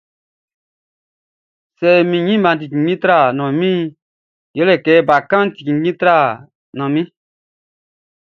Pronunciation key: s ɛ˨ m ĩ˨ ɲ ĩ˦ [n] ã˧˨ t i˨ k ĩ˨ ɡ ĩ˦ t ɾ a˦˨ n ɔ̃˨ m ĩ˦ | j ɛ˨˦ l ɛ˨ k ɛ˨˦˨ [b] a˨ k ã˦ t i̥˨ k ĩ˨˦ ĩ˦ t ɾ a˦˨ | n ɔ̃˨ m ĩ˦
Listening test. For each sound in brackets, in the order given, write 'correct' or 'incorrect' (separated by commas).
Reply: incorrect, correct